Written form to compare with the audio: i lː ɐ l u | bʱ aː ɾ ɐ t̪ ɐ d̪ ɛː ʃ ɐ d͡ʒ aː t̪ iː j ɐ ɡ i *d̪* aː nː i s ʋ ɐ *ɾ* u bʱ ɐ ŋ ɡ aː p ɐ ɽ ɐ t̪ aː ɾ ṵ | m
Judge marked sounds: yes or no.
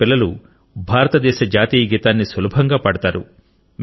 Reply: no, no

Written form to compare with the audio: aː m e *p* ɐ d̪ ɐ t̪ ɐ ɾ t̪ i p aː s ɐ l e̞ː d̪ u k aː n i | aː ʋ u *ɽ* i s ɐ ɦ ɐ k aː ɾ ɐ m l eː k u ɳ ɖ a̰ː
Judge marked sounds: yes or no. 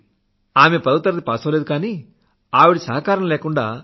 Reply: yes, yes

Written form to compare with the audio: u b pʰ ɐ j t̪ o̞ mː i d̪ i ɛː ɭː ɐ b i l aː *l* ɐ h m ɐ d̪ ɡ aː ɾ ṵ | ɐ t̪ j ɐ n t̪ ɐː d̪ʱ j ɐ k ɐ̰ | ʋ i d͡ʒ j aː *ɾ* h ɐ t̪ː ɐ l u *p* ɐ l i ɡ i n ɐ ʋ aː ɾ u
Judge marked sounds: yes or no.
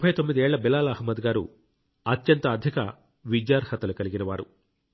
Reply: yes, yes, no

